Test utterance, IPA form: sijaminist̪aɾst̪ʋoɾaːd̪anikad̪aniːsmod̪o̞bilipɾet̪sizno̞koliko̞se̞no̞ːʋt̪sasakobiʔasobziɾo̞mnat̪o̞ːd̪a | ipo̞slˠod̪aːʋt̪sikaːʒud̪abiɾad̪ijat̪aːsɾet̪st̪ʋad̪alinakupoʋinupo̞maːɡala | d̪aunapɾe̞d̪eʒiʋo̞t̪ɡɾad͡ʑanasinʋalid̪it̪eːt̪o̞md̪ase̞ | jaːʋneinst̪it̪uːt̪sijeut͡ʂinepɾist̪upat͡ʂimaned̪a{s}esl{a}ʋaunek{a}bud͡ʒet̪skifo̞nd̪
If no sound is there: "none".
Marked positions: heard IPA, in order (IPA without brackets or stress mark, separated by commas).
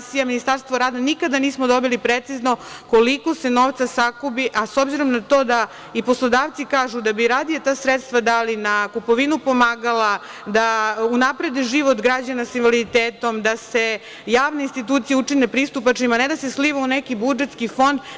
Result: s, i, i